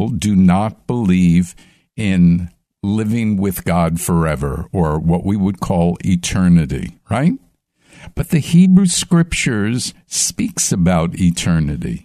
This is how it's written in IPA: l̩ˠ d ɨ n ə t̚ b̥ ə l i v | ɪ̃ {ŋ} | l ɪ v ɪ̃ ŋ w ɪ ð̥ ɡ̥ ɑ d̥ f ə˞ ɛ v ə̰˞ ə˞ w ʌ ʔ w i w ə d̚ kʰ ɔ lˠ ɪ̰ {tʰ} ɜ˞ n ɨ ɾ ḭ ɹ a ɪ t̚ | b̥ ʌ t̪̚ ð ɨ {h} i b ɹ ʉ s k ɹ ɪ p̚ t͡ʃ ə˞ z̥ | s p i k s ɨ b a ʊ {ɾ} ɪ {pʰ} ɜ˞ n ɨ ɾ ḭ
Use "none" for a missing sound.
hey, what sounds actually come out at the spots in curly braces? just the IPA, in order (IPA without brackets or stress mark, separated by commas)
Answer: n, tʰ, h, ɾ, tʰ